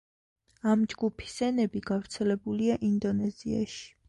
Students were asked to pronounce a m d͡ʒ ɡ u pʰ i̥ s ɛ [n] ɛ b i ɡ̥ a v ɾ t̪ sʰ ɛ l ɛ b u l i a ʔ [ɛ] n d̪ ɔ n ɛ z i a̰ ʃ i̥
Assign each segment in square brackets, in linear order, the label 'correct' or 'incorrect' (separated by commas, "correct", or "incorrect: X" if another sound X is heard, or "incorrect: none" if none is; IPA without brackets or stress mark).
correct, incorrect: i